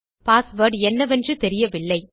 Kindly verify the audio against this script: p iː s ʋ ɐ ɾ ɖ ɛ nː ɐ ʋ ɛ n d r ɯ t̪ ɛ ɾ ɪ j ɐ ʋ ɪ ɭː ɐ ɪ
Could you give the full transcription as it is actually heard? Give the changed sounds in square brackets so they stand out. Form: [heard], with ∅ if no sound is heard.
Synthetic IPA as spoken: p [aː] s ʋ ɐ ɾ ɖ ɛ nː ɐ ʋ ɛ n d r ɯ t̪ ɛ ɾ ɪ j ɐ ʋ ɪ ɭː ɐ ɪ